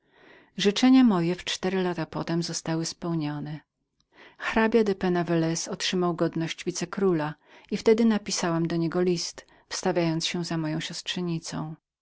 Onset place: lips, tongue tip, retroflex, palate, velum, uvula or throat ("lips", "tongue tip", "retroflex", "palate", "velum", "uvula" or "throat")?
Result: retroflex